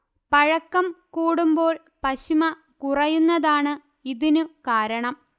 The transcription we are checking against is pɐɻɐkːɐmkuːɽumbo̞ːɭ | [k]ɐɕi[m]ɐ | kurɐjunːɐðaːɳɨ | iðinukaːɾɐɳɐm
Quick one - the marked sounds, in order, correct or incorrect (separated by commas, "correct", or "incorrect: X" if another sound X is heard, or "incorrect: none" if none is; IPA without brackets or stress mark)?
incorrect: p, correct